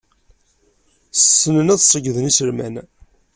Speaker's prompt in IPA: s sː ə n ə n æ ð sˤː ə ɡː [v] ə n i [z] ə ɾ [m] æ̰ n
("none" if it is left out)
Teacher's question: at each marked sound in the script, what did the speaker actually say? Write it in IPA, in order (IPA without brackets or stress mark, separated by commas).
ð, s, m